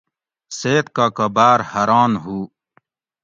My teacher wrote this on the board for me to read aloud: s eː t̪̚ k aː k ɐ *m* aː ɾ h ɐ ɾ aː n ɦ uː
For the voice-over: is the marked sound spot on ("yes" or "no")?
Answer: no